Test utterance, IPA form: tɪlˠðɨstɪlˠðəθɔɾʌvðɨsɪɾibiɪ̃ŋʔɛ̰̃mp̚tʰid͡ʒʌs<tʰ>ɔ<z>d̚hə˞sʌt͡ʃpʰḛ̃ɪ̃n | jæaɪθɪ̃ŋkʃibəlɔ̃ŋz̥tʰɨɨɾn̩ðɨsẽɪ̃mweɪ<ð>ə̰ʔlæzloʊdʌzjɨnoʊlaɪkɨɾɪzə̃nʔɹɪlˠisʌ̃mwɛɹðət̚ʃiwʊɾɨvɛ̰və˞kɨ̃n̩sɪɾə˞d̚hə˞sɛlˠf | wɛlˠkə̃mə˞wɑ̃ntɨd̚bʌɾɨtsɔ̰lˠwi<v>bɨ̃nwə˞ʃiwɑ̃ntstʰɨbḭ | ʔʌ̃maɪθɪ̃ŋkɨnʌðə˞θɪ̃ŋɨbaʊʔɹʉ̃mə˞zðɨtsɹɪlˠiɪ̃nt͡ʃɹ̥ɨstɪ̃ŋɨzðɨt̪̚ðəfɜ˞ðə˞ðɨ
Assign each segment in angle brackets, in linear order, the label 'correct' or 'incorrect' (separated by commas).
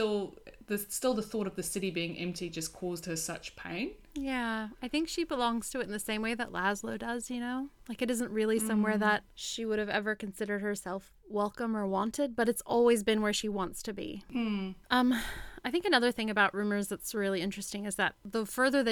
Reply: incorrect, correct, correct, incorrect